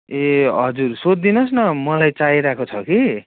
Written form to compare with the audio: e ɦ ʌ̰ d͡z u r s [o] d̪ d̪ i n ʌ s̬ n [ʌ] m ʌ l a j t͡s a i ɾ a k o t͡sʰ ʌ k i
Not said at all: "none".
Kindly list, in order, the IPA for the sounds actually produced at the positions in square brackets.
o, ʌ

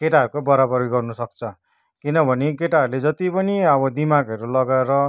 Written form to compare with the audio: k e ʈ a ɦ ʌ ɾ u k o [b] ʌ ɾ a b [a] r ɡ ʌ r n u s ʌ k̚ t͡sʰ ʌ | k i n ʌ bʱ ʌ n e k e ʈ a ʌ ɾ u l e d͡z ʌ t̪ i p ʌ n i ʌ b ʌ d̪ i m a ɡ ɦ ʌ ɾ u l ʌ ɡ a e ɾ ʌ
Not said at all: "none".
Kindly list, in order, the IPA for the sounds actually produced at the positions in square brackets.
b, ʌ

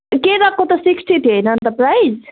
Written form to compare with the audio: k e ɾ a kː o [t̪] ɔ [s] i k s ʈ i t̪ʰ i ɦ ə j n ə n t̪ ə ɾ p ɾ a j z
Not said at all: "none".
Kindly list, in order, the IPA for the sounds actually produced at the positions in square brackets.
t̪, s

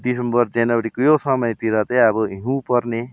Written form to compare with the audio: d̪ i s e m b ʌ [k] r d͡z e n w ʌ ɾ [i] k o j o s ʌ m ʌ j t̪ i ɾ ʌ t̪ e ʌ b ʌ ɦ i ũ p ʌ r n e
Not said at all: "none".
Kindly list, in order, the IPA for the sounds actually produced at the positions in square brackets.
none, i

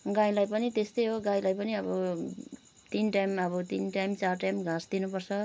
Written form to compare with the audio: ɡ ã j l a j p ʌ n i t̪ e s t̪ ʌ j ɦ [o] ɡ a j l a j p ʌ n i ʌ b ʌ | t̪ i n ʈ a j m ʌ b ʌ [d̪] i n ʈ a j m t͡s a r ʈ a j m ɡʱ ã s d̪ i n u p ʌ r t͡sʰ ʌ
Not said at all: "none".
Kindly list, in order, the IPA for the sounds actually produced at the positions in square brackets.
o, t̪

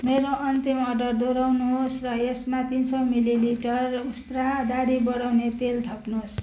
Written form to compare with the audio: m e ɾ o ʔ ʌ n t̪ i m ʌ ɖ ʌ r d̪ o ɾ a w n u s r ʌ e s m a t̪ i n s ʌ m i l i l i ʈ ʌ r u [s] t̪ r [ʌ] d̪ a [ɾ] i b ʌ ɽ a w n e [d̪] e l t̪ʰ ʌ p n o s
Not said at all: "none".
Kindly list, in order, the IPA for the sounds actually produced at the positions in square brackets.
s, a, ɽ, t̪

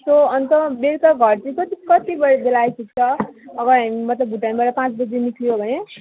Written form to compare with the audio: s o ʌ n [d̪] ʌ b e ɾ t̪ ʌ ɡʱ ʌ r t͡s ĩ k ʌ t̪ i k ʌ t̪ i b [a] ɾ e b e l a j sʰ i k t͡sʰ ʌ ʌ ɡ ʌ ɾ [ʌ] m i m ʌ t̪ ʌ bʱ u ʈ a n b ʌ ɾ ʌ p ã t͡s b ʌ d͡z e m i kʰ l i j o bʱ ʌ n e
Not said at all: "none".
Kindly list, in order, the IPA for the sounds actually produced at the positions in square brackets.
t̪, ʌ, a

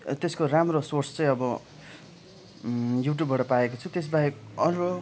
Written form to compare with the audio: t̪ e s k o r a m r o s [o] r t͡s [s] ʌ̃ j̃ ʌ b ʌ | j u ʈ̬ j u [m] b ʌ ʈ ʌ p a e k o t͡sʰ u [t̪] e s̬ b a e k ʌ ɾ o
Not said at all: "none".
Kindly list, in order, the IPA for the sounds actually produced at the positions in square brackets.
o, t͡s, b, t̪

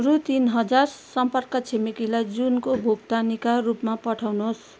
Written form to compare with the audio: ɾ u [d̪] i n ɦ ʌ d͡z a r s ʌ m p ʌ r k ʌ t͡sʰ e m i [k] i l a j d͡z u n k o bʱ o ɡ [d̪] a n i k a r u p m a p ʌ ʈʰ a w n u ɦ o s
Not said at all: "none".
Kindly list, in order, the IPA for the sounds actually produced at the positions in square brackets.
t̪, k, t̪

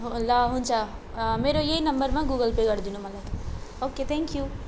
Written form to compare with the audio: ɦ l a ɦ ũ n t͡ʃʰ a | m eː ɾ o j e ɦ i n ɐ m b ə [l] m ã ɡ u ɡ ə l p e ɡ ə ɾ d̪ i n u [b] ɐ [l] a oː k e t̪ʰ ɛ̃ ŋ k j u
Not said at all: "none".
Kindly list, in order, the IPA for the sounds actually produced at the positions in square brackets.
ɾ, m, l

